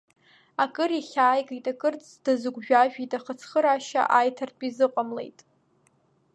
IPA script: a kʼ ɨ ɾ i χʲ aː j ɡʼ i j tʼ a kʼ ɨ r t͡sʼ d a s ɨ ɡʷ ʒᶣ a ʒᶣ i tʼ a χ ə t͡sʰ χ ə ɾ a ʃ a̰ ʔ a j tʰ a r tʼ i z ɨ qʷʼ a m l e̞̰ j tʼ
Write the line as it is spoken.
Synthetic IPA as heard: a kʼ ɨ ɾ i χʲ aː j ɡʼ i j tʼ a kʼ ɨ r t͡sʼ d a z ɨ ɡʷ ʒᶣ a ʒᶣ i tʼ a χ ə t͡sʰ χ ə ɾ a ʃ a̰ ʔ a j tʰ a r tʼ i z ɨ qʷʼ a m l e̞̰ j tʼ